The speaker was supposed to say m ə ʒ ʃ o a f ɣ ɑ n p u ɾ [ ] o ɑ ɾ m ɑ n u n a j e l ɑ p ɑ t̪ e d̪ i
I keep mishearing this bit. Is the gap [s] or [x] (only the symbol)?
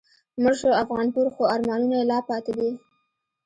x